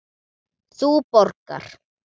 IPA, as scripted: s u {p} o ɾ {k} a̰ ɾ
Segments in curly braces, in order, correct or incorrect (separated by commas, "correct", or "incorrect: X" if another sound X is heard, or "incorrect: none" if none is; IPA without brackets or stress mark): correct, correct